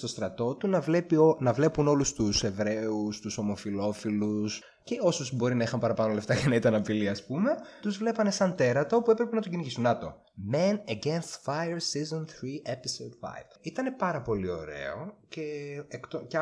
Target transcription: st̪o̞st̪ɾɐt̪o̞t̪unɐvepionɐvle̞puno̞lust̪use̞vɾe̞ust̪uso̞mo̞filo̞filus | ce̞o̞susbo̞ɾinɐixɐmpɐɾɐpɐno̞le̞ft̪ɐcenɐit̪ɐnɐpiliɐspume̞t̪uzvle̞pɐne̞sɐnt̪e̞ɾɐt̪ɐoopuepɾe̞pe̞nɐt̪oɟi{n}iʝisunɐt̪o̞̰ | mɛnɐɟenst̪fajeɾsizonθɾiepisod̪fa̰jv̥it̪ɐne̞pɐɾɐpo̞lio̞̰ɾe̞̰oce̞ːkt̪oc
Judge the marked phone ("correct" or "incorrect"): correct